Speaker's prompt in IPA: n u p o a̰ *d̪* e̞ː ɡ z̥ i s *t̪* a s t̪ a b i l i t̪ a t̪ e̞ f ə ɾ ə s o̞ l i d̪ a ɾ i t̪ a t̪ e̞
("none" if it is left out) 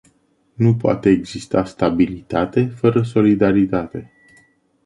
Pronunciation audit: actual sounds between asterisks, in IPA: t̪, t̪

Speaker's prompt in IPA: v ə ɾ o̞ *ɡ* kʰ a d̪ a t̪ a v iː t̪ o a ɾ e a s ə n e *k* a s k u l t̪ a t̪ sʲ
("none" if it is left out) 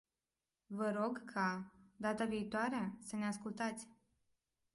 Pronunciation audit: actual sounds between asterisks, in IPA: ɡ, none

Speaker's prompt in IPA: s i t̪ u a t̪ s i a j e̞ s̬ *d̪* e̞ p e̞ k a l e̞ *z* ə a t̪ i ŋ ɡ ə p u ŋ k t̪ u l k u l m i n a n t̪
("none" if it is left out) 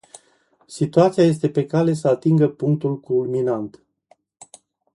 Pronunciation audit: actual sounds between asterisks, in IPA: t̪, s

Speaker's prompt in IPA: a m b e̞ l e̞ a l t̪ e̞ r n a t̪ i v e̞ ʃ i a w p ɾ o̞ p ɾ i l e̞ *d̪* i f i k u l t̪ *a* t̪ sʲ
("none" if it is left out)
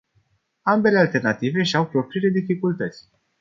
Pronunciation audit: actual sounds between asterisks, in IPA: d̪, ə

